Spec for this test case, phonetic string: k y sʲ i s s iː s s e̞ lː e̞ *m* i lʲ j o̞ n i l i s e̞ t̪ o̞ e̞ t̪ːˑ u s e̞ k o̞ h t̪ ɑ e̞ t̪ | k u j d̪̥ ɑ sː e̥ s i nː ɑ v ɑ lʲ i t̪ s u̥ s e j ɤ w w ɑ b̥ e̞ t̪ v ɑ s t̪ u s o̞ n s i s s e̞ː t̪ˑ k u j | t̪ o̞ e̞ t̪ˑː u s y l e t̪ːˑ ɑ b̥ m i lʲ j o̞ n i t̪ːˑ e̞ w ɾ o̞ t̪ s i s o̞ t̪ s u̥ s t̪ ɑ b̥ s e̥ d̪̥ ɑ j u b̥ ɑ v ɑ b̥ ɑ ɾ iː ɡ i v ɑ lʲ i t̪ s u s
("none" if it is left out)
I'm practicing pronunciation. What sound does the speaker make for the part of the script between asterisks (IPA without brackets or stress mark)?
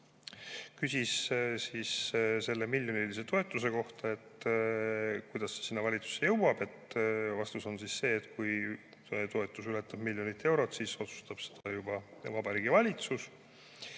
m